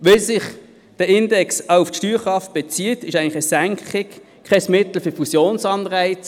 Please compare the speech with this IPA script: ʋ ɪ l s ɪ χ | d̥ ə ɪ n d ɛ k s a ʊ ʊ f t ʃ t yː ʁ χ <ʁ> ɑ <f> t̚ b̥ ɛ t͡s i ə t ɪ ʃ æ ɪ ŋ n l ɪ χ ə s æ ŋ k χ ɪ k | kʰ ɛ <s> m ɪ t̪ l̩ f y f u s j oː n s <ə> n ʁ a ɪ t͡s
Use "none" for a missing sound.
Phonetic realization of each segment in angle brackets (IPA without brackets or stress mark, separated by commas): ʁ, f, s, ɑ